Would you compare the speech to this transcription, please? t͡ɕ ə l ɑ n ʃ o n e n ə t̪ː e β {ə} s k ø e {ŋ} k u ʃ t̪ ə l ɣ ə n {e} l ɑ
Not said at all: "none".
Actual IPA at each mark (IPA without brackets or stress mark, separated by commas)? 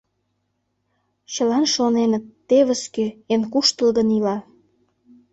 ə, n, i